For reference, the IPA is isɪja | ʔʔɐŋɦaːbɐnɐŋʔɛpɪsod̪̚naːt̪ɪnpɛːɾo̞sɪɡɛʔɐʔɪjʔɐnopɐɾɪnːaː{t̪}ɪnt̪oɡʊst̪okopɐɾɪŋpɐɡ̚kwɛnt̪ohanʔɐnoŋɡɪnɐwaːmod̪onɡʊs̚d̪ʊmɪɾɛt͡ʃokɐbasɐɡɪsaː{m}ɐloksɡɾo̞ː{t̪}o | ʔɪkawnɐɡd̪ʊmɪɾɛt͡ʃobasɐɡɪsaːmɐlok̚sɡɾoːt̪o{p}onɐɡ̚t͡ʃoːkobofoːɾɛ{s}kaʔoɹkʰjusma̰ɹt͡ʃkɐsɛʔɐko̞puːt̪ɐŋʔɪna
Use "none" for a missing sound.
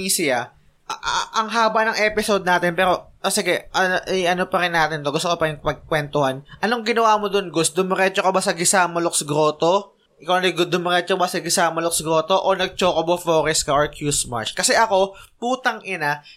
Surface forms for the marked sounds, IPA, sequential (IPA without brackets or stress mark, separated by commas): t̪, m, t̪, ʔ, s